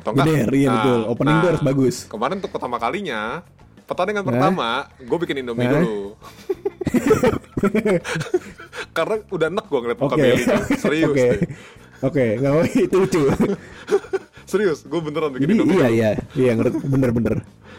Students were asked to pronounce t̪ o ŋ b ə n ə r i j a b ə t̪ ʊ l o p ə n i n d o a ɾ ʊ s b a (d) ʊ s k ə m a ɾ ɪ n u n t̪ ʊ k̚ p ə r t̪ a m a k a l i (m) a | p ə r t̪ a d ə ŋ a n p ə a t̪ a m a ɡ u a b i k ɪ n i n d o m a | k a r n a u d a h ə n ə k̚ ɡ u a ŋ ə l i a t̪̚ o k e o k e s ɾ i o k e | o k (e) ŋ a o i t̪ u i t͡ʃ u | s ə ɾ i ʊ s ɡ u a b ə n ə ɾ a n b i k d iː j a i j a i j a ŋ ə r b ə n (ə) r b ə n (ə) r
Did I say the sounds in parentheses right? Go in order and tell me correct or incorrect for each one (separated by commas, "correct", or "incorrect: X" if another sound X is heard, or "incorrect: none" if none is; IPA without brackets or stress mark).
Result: incorrect: ɡ, incorrect: ɲ, correct, correct, correct